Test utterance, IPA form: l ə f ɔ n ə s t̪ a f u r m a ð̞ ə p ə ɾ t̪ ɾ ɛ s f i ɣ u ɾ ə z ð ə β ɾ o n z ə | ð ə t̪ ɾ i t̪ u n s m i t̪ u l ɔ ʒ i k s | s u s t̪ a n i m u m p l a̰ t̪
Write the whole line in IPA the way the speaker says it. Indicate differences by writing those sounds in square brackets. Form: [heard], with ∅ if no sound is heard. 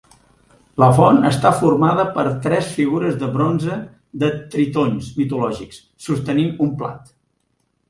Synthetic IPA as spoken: l ə f ɔ n ə s t̪ a f u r m a ð̞ ə p ə ɾ t̪ ɾ ɛ s f i ɣ u ɾ ə z ð ə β ɾ o n z ə | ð ə t̪ ɾ i t̪ [o] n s m i t̪ u l ɔ ʒ i k s | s u s t̪ [ə] n i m u m p l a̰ t̪